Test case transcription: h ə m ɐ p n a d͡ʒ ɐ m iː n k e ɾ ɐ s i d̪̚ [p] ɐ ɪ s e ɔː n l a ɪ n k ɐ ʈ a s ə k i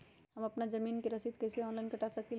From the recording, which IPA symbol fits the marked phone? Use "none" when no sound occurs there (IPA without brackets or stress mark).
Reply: k